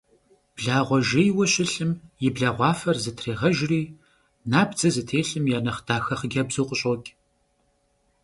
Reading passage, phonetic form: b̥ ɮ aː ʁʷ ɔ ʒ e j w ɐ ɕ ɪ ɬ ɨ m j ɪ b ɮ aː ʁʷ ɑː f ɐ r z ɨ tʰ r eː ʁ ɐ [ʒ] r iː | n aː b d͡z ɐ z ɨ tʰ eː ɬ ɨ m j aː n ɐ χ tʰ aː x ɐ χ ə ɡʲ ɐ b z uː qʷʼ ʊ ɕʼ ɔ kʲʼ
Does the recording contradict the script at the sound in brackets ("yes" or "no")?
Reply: no